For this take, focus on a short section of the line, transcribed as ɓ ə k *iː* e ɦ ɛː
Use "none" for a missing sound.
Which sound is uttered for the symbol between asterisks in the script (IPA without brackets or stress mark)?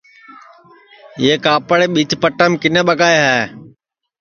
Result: aː